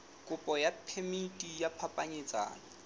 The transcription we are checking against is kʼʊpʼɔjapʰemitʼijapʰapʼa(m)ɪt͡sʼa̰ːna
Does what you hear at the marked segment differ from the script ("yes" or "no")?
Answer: yes